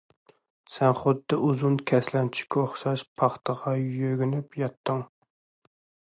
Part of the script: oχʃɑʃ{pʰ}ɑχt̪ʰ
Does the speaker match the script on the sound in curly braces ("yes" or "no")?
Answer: yes